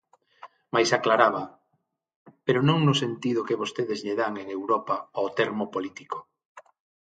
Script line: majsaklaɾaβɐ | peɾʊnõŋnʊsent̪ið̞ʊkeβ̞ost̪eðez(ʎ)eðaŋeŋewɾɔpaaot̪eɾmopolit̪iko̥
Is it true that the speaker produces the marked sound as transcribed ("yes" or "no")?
yes